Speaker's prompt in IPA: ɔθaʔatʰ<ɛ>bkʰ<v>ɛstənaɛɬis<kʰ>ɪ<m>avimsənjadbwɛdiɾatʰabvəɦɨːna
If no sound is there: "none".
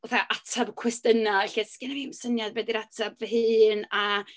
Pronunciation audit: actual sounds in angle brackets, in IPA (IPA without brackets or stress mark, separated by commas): a, w, k, n